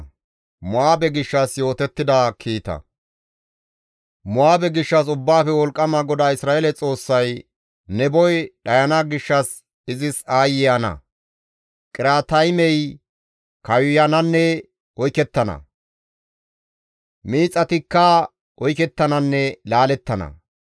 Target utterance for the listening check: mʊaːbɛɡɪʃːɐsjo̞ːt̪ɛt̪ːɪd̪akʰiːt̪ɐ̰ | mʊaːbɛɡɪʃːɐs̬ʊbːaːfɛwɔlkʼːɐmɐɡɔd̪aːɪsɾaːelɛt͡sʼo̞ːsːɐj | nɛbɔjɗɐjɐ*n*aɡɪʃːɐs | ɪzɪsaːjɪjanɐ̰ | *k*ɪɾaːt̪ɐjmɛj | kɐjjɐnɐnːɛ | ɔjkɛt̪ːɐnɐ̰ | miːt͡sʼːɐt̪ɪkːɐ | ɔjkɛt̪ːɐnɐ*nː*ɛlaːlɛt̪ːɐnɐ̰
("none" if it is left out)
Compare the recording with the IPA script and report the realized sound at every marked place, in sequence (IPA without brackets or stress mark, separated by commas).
n, kʼ, nː